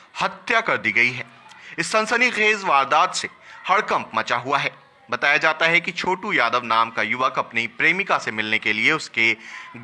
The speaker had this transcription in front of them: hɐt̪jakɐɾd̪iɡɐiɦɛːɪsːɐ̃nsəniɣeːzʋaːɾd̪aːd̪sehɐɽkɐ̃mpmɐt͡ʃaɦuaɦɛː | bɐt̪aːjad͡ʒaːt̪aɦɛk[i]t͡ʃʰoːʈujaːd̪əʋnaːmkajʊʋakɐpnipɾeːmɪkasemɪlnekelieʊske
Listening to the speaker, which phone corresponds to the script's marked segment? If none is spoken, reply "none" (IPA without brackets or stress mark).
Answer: i